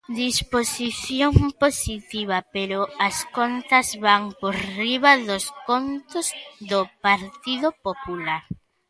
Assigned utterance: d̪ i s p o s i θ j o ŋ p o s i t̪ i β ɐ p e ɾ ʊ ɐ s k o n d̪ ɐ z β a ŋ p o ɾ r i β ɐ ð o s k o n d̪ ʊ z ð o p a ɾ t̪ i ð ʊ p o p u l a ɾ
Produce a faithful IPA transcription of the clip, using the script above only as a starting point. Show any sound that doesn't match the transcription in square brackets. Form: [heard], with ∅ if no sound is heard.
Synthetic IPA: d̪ i s p o s i θ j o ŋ p o s i t̪ i β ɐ p e ɾ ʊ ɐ s k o n [t̪] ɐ z β a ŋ p o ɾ r i β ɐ ð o s k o n [t̪] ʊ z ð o p a ɾ t̪ i ð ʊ p o p u l a ɾ